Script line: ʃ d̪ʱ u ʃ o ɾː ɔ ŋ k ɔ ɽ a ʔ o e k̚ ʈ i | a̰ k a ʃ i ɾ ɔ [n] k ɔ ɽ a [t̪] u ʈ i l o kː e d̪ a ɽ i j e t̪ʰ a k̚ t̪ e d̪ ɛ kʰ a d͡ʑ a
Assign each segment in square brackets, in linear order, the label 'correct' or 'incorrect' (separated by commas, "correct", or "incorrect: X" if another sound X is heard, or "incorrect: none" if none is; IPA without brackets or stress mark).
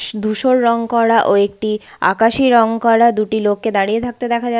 incorrect: ŋ, incorrect: d̪